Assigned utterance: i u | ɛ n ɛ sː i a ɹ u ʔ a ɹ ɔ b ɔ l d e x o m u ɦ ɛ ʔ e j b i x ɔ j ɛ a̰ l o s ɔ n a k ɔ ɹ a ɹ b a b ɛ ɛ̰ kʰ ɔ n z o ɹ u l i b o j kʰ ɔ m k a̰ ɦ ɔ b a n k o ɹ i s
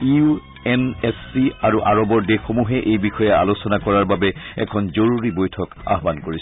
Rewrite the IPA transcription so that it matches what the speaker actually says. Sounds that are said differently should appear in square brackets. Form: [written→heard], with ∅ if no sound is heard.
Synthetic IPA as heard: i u | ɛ n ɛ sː i a ɹ u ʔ a ɹ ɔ b ɔ [l→ɹ] d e x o m u ɦ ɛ ʔ e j b i x ɔ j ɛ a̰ l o s ɔ n a k ɔ ɹ a ɹ b a b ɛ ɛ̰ kʰ ɔ n z o ɹ u [l→ɹ] i b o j [kʰ→tʰ] ɔ [m→∅] k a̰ ɦ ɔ b a n k o ɹ i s

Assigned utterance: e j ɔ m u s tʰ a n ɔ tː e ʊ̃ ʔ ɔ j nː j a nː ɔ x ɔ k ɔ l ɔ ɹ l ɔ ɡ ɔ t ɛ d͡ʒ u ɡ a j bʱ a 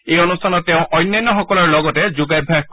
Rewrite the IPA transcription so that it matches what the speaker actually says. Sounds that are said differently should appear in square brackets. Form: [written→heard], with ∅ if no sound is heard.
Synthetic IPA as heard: e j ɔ [m→n] u s tʰ a n ɔ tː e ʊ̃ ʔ ɔ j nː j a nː ɔ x ɔ k ɔ l ɔ ɹ l ɔ ɡ ɔ t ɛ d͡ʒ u ɡ a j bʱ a

